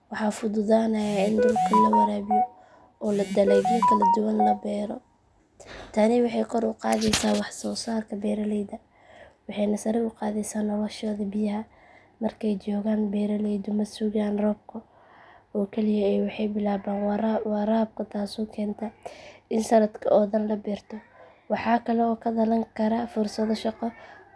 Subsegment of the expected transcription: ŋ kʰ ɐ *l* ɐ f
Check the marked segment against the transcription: incorrect: ɾ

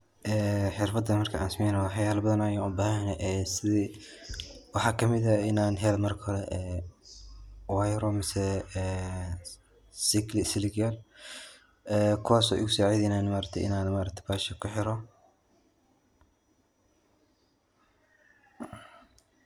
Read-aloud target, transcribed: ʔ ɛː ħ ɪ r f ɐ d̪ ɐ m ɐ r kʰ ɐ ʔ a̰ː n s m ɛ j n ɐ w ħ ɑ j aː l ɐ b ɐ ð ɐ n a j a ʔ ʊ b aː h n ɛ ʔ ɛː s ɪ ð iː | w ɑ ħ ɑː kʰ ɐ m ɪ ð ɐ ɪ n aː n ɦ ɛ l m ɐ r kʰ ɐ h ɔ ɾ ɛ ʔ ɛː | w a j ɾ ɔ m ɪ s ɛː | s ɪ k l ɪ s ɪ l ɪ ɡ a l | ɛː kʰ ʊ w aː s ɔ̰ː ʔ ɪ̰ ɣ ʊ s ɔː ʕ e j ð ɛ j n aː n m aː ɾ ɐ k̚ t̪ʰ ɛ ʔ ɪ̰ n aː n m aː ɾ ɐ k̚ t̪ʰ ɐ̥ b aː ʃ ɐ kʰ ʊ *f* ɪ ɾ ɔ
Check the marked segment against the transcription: incorrect: ħ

